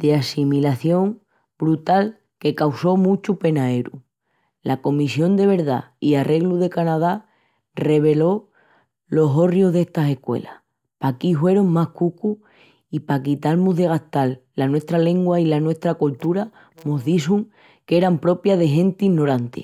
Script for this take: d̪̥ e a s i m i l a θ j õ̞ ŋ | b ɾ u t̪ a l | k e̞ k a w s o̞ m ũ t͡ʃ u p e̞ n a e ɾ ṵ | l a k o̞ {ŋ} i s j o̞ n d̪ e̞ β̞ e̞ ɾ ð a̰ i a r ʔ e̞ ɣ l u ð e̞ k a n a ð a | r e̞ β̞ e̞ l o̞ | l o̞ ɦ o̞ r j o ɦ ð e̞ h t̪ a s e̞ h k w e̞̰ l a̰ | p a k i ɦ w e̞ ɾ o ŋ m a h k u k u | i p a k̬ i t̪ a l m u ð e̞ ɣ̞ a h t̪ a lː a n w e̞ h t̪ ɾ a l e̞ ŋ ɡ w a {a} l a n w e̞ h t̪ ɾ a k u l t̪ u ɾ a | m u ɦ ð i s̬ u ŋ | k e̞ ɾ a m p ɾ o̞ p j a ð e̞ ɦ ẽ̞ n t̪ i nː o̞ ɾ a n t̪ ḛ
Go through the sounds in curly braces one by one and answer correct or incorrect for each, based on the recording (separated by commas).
incorrect, incorrect